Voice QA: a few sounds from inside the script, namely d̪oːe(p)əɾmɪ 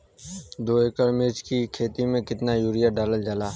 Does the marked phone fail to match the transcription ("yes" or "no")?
yes